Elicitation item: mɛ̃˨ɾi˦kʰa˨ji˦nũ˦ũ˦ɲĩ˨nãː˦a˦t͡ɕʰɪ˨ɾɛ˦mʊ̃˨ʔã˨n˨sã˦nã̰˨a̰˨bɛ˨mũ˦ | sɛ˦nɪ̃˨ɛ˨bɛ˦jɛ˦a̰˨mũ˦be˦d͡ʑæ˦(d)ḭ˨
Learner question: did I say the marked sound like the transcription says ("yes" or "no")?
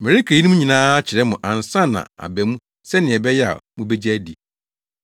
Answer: yes